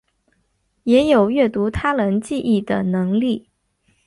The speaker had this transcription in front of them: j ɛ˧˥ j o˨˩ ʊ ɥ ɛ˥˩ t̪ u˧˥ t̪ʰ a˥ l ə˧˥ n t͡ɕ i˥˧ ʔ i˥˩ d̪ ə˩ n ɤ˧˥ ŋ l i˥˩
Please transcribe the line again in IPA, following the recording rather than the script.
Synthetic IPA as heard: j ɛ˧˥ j o˨˩ ʊ ɥ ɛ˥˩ t̪ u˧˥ t̪ʰ a˥ l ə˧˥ n t͡ɕ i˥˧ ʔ i˥˩ d̪ ə˩ n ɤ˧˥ ŋ l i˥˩